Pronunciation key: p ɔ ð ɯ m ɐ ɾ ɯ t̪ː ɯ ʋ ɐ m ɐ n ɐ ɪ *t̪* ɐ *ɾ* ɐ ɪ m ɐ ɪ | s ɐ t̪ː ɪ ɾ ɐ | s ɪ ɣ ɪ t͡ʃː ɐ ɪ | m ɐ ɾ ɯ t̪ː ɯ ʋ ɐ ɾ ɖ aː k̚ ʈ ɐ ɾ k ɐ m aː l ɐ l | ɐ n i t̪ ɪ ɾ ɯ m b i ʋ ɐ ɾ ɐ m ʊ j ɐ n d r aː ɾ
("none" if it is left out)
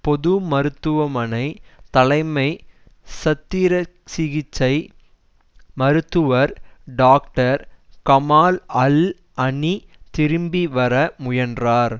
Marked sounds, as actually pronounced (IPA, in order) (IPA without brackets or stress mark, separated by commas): t̪, l